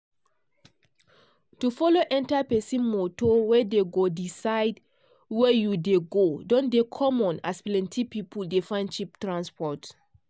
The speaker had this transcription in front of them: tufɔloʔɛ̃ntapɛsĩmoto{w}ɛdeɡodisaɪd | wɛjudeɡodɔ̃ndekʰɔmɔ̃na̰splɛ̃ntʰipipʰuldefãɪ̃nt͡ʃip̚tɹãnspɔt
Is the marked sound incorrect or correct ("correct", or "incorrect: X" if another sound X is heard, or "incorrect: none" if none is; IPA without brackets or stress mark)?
correct